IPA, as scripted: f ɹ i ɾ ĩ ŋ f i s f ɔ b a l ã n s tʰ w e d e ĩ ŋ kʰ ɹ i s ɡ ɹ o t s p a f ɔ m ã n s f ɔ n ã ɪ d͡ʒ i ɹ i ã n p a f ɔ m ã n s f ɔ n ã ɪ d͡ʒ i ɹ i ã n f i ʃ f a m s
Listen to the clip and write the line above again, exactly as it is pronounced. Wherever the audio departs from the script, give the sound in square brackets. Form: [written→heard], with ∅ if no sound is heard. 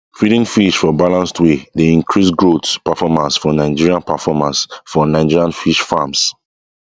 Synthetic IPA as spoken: f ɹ i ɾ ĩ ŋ f i [s→ʃ] f ɔ b a l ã n s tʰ w e d e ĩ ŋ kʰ ɹ i s ɡ ɹ o t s p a f ɔ m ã n s f ɔ n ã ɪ d͡ʒ i ɹ i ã n p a f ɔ m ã n s f ɔ n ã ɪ d͡ʒ i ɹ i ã n f i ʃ f a m s